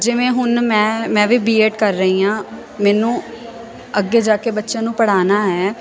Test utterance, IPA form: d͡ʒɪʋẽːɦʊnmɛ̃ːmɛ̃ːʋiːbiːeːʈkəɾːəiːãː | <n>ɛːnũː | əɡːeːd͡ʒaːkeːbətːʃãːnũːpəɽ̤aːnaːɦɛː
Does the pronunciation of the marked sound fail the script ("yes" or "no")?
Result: yes